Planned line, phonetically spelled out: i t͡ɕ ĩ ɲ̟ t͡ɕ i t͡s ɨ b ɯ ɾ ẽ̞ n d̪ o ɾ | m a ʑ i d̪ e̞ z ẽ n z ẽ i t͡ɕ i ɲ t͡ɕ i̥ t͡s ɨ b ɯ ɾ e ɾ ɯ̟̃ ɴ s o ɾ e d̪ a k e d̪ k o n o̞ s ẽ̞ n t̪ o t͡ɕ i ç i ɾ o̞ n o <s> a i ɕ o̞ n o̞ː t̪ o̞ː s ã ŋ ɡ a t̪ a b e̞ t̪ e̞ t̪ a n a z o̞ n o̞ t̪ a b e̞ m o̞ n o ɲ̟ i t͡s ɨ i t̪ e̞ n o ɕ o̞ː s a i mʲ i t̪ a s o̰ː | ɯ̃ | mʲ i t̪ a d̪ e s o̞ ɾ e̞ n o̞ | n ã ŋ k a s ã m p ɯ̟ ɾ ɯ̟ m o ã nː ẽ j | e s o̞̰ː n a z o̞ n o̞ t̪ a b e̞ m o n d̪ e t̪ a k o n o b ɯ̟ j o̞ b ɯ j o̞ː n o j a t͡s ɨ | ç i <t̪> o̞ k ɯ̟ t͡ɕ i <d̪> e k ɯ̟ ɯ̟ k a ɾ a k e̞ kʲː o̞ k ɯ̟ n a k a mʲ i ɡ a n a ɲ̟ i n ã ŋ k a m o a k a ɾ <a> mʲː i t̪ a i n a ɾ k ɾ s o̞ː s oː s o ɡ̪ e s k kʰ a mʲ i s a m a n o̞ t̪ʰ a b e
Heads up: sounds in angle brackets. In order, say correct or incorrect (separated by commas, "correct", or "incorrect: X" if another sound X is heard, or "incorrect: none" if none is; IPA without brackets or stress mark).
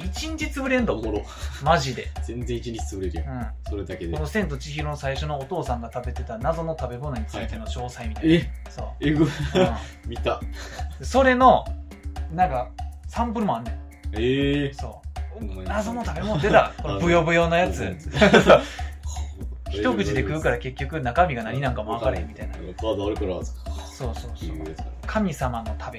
correct, correct, correct, incorrect: e